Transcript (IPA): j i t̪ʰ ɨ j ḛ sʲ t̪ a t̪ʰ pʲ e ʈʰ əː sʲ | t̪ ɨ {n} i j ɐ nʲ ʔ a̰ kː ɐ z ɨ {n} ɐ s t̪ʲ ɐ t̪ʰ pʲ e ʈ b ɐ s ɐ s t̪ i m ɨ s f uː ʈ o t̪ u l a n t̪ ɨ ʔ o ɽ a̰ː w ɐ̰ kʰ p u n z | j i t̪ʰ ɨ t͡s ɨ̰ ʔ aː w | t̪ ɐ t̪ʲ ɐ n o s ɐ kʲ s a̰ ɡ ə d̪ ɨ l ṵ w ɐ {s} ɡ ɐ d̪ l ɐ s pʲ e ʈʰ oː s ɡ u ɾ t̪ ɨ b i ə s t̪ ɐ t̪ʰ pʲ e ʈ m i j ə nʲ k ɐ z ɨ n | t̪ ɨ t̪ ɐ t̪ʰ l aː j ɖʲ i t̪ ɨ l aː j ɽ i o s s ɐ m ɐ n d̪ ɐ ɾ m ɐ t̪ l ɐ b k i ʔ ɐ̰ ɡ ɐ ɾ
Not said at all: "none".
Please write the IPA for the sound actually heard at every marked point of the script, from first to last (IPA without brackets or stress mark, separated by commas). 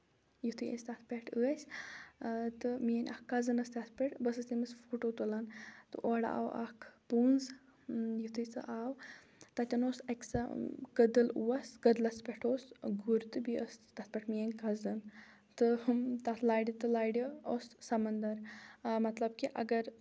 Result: m, n, s